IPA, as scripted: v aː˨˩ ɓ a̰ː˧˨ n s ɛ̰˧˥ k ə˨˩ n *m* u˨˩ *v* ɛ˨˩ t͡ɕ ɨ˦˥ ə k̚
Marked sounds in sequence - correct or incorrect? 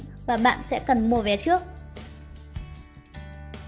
correct, correct

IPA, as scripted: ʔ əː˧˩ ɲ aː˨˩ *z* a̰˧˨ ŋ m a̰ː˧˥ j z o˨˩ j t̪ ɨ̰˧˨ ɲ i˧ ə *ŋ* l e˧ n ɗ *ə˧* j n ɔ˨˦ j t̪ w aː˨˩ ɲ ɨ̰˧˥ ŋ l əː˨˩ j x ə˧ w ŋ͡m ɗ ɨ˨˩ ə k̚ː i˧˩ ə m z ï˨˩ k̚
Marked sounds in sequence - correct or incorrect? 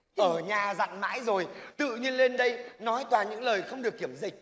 correct, incorrect, correct

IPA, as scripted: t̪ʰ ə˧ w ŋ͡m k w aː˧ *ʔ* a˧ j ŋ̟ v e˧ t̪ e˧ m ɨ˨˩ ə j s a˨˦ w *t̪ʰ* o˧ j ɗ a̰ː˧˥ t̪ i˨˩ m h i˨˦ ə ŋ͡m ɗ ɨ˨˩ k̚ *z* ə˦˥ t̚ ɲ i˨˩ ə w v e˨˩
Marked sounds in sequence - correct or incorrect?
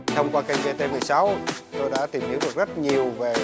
incorrect, incorrect, correct

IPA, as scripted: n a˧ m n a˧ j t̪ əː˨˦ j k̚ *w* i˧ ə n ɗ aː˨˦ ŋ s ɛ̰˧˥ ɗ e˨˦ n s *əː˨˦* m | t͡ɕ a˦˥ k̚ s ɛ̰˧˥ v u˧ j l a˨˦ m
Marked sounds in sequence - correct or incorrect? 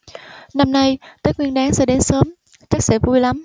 correct, correct

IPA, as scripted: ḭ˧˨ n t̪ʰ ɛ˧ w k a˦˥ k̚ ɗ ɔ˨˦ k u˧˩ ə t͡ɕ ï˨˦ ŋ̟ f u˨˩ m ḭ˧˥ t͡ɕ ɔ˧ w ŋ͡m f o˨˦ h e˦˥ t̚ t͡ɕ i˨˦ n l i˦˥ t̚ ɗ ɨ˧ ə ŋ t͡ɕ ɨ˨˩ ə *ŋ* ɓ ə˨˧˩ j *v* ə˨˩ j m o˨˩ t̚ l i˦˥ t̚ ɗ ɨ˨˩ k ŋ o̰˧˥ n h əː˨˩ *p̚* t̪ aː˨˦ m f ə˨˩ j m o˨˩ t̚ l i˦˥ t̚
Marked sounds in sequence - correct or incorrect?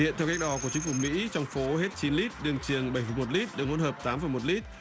correct, incorrect, correct

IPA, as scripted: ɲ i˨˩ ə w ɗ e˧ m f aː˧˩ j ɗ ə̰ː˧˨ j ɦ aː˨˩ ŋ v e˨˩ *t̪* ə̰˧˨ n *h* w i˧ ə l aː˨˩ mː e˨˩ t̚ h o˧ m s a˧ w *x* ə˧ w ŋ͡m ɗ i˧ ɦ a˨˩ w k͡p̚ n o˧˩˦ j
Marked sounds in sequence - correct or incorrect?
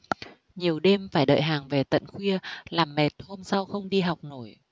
correct, incorrect, correct

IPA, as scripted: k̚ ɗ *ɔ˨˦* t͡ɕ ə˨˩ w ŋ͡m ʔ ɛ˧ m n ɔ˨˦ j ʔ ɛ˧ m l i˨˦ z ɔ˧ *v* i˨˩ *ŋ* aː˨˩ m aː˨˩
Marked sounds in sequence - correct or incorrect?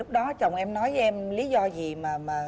correct, incorrect, incorrect

